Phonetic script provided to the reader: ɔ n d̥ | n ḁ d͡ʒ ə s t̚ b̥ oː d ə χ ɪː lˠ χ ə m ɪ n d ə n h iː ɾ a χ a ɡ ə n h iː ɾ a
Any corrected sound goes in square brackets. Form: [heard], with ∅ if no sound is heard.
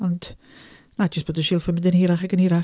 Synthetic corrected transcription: ɔ n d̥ | n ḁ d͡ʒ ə s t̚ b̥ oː d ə [ʃ] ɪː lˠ [f] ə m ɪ n d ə n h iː ɾ a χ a ɡ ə n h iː ɾ a

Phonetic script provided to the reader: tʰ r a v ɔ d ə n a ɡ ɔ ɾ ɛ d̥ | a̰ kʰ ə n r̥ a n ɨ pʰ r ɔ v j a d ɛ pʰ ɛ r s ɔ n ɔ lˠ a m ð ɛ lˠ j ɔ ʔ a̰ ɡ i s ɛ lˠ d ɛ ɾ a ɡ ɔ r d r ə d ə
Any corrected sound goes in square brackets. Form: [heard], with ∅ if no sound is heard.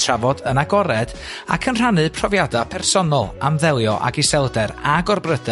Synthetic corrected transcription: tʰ r a v ɔ d ə n a ɡ ɔ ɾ ɛ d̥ | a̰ kʰ ə n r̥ a n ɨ pʰ r ɔ v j a d [a] pʰ ɛ r s ɔ n ɔ lˠ a m ð ɛ lˠ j ɔ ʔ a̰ ɡ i s ɛ lˠ d ɛ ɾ a ɡ ɔ r [b] r ə d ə

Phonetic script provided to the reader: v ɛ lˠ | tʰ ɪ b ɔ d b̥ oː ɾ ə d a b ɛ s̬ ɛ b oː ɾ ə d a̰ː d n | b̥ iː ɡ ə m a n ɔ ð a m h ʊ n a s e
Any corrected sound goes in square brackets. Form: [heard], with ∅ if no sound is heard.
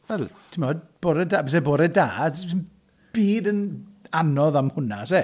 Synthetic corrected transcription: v ɛ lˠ | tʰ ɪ [m] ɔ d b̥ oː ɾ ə d a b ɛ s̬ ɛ b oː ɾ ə d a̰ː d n | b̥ iː [d] ə [n] a n ɔ ð a m h ʊ n a s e

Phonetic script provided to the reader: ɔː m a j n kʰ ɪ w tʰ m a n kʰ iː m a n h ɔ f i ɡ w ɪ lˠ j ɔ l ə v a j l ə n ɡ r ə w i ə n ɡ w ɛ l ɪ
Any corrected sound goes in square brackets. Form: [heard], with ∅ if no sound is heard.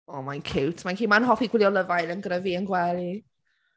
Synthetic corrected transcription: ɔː m a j n kʰ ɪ w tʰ m a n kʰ iː m a n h ɔ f i ɡ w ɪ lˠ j ɔ l ə v a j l ə n ɡ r ə [v] i ə n ɡ w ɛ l [i]

